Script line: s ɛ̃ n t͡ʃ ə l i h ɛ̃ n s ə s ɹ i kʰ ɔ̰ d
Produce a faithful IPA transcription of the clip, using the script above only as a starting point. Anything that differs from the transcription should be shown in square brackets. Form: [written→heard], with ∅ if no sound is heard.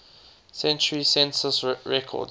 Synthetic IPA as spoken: s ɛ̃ n t͡ʃ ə [l→ɹ] i [h→s] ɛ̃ n s ə s ɹ [i→ɛ] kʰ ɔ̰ d